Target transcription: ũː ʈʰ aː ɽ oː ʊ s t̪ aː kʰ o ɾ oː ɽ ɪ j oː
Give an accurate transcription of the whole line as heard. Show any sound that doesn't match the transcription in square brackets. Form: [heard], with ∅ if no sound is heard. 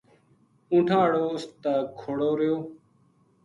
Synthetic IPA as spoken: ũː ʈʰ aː ɽ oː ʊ s t̪ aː kʰ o [ɽ] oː [ɾ] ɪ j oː